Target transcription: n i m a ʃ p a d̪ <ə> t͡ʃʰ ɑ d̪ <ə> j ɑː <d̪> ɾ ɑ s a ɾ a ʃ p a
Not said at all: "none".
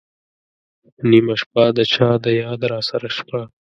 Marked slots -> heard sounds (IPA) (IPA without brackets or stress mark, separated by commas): ə, ə, d̪